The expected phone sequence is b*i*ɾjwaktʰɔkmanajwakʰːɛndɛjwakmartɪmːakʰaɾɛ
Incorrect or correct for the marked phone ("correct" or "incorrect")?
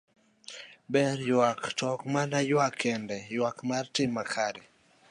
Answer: incorrect